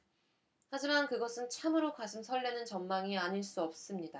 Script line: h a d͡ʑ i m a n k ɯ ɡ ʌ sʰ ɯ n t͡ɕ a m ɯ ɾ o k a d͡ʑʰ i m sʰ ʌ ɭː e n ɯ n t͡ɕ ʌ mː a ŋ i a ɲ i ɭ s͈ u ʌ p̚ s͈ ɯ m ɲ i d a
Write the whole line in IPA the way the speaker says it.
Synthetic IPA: h a d͡ʑ i m a n k ɯ ɡ ʌ sʰ ɯ n t͡ɕʰ a m ɯ ɾ o k a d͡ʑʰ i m sʰ ʌ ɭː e n ɯ n t͡ɕ ʌ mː a ŋ i a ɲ i ɭ s͈ u ʌ p̚ s͈ ɯ m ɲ i d a